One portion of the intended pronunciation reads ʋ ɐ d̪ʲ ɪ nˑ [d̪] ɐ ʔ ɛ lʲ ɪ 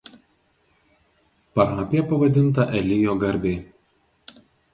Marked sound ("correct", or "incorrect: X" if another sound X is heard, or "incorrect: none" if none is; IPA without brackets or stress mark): incorrect: t̪